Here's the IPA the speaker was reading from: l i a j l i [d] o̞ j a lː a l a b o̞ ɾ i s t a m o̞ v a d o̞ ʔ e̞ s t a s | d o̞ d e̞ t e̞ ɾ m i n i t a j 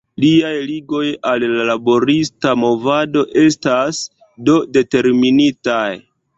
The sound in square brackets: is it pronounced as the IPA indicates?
no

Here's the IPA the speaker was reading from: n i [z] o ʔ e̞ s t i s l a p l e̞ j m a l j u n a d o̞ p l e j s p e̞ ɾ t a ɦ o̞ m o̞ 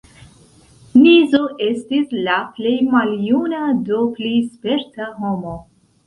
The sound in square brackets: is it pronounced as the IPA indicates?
yes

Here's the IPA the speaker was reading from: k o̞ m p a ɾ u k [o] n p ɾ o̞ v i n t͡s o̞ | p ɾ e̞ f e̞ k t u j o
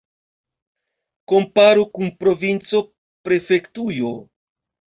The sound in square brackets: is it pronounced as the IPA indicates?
no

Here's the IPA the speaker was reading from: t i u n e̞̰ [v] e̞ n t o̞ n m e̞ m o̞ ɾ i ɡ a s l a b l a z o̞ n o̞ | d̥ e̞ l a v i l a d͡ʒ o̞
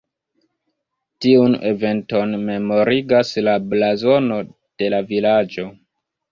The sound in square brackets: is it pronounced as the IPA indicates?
yes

